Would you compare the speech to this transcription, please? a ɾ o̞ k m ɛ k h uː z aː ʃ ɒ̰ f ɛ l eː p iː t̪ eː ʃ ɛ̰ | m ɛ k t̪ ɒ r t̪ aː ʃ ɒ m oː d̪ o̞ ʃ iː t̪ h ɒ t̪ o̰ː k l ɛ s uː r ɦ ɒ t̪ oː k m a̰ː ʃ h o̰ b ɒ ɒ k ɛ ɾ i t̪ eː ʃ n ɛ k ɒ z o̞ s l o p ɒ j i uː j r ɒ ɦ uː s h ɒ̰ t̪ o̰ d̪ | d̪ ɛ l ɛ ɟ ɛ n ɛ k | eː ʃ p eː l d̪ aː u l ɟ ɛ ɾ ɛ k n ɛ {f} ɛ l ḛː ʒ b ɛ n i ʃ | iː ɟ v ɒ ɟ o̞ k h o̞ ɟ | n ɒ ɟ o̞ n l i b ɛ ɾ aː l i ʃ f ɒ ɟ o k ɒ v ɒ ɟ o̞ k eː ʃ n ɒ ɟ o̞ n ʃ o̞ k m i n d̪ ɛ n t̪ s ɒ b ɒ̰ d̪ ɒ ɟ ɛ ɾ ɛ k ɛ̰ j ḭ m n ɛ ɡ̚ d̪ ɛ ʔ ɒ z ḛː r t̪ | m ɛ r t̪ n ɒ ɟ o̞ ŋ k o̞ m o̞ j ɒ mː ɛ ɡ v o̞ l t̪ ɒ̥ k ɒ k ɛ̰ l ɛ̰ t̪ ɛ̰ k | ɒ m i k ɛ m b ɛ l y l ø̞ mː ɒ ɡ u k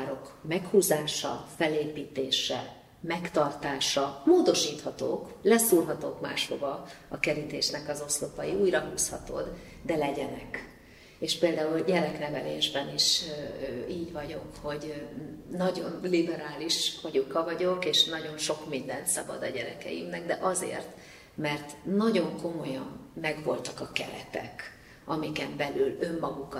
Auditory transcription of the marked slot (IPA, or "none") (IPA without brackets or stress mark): v